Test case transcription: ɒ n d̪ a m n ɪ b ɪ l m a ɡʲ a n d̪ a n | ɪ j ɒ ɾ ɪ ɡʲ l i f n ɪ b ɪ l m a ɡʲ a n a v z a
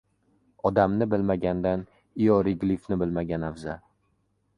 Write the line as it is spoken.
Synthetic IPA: ɒ d̪ a m n ɪ b ɪ l m a ɡʲ a n d̪ a n | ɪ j ɒ ɾ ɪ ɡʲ l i f n ɪ b ɪ l m a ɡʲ a n a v z a

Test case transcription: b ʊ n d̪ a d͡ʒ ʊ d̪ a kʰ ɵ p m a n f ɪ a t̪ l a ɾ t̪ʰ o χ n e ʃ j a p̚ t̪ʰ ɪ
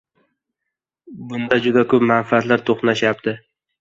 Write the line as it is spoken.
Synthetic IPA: b ʊ n d̪ a d͡ʒ ʊ d̪ a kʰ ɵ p m a n f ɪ a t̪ l a ɾ t̪ʰ o χ n a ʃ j a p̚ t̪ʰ ɪ

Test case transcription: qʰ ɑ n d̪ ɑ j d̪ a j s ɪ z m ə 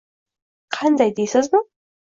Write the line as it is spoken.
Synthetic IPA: qʰ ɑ n d̪ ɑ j d̪ e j s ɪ z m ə

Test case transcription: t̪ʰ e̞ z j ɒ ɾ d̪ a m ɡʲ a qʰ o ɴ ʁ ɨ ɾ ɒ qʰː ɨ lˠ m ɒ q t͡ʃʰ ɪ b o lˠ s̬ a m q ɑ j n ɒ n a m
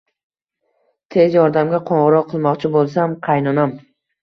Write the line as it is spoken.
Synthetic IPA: t̪ʰ e̞ z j ɒ ɾ d̪ a m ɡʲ a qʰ o ɴ ʁ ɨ ɾ ɒ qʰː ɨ lˠ m ɒ q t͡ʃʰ ɪ b o lˠ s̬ a m qʰ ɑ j n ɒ n a m

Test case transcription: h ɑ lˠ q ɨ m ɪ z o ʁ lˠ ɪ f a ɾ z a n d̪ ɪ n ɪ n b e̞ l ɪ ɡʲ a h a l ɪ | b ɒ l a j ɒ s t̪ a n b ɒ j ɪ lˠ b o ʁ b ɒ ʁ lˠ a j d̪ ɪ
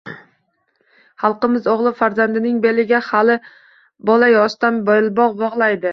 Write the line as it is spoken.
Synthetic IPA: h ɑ lˠ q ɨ m ɪ z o ʁ lˠ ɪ f a ɾ z a n d̪ ɪ n ɪ ŋ b e̞ l ɪ ɡʲ a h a l ɪ | b ɒ l a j ɒ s t̪ a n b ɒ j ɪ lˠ b ɒ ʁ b ɒ ʁ lˠ a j d̪ ɪ

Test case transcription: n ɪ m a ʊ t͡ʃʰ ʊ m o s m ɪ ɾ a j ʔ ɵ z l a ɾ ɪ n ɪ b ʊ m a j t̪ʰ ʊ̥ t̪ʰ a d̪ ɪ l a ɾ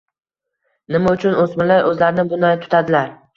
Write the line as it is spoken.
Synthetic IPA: n ɪ m a ʊ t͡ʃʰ ʊ n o s m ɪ l a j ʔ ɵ z l a ɾ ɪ n ɪ b ʊ n a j t̪ʰ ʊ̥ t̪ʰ a d̪ ɪ l a ɾ

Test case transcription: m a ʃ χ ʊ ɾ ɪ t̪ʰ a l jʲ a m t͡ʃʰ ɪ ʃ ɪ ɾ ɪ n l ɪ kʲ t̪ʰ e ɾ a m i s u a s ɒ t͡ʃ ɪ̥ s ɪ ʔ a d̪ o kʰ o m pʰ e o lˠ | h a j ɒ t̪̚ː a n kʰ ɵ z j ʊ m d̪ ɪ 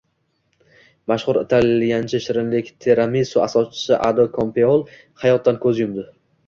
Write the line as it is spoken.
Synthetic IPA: m a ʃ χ ʊ ɾ ɪ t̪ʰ a l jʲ a n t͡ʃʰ ɪ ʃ ɪ ɾ ɪ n l ɪ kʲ t̪ʰ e ɾ a m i s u a s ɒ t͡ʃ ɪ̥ s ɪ ʔ a d̪ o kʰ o m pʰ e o lˠ | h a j ɒ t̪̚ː a n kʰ ɵ z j ʊ m d̪ ɪ

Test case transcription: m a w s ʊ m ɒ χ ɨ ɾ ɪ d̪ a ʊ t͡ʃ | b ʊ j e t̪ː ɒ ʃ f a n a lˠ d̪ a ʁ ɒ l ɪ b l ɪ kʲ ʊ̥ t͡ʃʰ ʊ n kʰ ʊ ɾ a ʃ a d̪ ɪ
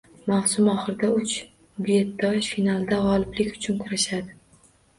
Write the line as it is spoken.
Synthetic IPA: m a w s ʊ m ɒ χ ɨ ɾ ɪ d̪ a ʊ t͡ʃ | b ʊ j e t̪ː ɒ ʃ f i n a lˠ d̪ a ʁ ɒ l ɪ b l ɪ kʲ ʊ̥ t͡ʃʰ ʊ n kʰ ʊ ɾ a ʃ a d̪ ɪ

